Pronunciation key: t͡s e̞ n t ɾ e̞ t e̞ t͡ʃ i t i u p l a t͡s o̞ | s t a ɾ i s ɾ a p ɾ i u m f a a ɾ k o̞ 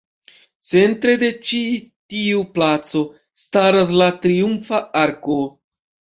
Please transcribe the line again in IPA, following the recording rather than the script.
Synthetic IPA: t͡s e̞ n t ɾ e̞ d e̞ t͡ʃ i t i u p l a t͡s o̞ | s t a ɾ a s l a t ɾ i u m f a a ɾ k o̞